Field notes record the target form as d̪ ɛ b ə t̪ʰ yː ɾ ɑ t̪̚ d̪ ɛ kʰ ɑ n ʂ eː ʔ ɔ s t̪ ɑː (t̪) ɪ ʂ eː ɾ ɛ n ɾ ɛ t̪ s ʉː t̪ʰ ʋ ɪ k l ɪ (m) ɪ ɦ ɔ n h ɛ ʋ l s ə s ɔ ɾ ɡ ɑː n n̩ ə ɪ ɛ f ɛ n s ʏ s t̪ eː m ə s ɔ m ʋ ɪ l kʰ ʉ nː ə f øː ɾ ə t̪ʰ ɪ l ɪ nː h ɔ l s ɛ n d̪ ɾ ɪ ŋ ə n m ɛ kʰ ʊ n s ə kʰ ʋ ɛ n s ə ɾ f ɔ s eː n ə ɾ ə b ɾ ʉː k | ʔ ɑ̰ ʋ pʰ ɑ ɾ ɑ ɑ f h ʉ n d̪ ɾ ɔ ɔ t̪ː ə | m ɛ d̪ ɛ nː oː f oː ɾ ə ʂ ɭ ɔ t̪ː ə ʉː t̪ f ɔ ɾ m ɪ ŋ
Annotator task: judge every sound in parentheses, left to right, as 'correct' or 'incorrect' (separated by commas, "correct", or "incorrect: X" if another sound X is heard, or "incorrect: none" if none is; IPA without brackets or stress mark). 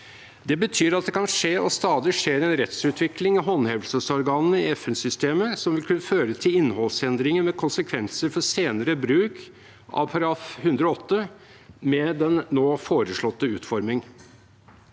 incorrect: d̪, incorrect: ŋ